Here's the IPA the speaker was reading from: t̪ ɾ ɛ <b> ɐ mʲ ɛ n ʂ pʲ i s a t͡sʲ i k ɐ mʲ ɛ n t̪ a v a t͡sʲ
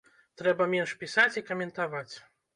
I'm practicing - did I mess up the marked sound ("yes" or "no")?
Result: no